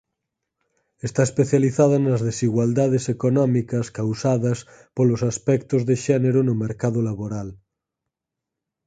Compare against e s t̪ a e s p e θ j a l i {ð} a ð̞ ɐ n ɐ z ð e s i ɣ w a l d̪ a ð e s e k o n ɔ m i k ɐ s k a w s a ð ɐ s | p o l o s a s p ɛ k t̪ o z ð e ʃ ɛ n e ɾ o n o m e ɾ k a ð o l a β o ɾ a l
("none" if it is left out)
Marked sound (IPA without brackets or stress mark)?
θ